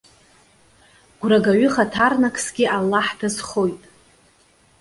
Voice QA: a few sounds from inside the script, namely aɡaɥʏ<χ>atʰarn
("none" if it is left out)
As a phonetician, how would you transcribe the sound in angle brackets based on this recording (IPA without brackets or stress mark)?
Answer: χ